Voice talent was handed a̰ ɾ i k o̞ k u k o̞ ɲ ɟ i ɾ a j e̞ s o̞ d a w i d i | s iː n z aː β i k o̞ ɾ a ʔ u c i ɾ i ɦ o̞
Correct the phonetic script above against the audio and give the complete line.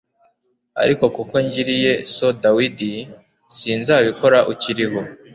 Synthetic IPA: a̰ ɾ i k o̞ k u k o̞ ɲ ɟ i ɾ i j e̞ s o̞ d a w i d i | s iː n z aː β i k o̞ ɾ a ʔ u c i ɾ i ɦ o̞